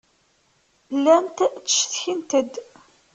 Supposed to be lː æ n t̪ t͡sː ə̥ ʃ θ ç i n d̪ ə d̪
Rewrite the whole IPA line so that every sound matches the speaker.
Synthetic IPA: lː æ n t̪ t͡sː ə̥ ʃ θ ç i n t̪ ə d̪